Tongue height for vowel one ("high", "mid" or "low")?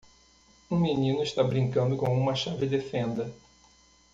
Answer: high